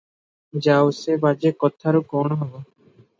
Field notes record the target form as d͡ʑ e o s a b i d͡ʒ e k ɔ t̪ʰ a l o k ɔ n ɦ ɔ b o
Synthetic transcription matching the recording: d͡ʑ a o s e b a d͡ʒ e k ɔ t̪ʰ a ɾ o k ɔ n ɦ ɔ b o